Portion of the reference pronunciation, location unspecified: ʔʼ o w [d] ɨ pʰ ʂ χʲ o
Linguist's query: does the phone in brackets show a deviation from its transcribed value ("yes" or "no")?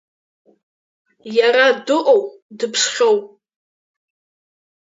no